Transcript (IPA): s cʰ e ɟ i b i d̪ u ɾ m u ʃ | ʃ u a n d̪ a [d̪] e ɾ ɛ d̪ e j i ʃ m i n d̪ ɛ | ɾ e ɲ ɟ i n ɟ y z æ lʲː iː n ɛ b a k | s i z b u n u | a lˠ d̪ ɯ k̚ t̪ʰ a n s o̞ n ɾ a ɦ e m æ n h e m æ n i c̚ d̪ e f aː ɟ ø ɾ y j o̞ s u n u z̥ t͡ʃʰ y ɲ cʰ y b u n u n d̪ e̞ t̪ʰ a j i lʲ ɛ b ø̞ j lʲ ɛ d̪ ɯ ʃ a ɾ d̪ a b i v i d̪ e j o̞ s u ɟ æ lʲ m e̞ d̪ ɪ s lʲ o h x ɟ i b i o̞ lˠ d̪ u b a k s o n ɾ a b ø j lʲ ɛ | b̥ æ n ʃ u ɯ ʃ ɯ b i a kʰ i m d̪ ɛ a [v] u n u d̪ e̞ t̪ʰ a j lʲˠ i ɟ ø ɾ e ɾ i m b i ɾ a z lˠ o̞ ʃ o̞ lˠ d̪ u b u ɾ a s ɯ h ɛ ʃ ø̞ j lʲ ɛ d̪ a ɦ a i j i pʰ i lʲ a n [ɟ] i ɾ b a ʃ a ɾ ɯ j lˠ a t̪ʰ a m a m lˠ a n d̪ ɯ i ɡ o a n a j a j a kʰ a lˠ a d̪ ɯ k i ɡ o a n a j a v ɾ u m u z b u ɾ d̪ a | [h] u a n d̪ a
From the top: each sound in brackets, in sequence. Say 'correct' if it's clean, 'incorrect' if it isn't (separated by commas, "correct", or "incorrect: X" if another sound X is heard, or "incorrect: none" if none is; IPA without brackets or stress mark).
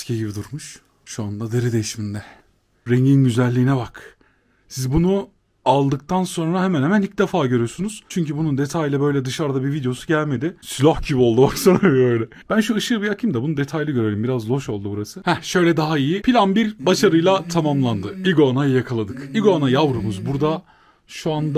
correct, incorrect: b, incorrect: b, incorrect: ʃ